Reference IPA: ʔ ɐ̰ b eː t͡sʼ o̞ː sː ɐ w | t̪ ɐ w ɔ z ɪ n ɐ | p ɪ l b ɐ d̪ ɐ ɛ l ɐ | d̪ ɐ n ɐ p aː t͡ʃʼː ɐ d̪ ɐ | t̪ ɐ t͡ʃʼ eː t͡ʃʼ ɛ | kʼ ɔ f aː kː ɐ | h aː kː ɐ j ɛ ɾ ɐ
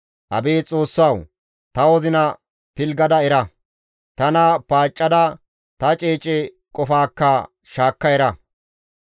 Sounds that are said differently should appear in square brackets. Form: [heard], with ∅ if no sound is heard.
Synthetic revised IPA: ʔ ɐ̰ b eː t͡sʼ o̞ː sː ɐ w | t̪ ɐ w ɔ z ɪ n ɐ | p ɪ l [ɡ] ɐ d̪ ɐ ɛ [ɾ] ɐ | [t̪] ɐ n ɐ p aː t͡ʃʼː ɐ d̪ ɐ | t̪ ɐ t͡ʃʼ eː t͡ʃʼ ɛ | kʼ ɔ f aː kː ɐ | [ʃ] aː kː ɐ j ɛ ɾ ɐ